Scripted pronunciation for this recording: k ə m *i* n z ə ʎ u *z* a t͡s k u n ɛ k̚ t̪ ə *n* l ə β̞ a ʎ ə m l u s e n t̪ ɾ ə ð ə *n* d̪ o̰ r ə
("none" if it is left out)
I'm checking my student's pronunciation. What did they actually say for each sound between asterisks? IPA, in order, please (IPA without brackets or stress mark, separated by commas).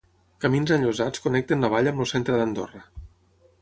i, z, n, n